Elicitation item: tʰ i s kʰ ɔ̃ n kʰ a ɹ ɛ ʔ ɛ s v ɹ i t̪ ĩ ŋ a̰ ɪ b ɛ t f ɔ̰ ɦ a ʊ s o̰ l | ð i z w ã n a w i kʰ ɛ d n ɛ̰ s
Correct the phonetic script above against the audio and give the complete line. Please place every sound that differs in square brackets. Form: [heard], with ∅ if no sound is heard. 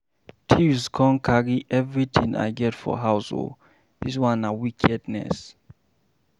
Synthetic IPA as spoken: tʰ i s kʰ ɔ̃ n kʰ a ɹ [i] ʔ ɛ [∅] v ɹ i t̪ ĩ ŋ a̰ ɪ [ɡ] ɛ t f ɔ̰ ɦ a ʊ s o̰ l | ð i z w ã n a w i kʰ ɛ d n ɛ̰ s